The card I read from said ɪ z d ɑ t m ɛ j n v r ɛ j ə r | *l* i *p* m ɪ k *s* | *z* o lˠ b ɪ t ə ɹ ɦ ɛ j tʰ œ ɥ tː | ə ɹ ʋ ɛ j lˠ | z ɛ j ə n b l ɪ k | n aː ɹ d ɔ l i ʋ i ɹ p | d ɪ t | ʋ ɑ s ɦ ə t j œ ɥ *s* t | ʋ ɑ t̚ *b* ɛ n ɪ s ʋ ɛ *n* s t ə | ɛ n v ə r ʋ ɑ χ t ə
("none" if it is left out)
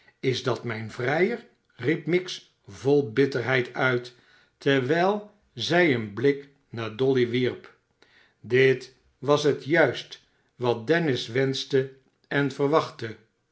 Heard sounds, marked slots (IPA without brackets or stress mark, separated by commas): r, p, s, v, s, d, n